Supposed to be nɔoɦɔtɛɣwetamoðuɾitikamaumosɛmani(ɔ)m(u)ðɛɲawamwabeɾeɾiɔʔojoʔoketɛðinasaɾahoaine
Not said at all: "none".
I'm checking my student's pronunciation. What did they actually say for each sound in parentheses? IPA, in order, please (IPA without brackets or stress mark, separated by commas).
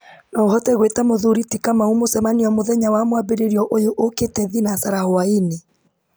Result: ɔ, o